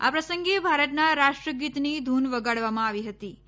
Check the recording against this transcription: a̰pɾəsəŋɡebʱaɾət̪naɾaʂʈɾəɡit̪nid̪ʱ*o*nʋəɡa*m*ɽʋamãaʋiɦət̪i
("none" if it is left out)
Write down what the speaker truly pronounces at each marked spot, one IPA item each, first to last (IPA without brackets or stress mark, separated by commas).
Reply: u, none